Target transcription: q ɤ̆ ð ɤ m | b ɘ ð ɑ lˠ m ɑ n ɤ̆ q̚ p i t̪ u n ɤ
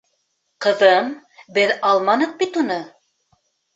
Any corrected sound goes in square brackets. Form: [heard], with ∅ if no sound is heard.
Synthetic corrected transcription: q ɤ̆ ð ɤ m | b ɘ ð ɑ lˠ m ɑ n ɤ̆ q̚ [b] i t̪ u n ɤ